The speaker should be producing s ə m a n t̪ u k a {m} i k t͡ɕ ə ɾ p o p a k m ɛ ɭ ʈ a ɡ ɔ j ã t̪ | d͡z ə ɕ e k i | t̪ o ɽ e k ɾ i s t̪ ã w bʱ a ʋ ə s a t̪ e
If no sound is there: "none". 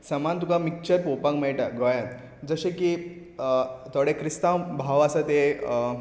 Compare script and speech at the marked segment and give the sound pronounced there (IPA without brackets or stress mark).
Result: m